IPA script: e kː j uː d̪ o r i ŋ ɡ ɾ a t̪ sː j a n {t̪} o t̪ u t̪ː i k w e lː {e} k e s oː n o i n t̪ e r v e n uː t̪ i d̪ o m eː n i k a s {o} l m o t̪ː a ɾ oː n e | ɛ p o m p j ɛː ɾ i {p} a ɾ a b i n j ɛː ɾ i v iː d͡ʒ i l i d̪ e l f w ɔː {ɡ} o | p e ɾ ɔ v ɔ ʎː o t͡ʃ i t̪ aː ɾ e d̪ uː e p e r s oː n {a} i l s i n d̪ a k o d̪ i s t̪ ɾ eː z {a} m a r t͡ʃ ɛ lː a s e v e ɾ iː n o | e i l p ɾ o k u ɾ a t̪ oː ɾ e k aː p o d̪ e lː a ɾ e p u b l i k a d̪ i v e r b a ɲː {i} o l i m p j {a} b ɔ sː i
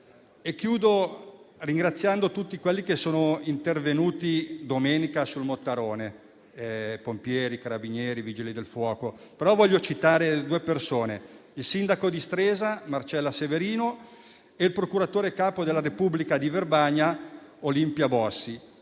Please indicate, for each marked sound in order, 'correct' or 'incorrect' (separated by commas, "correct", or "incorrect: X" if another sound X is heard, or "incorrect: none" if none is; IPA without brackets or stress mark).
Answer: incorrect: d̪, incorrect: i, incorrect: u, incorrect: k, incorrect: k, incorrect: e, correct, incorrect: a, correct